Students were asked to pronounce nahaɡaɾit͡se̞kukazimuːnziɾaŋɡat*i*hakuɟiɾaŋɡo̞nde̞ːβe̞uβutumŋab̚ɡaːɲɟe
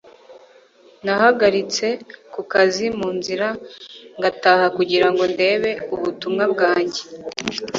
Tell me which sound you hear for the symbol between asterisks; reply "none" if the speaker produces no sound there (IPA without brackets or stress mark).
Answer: a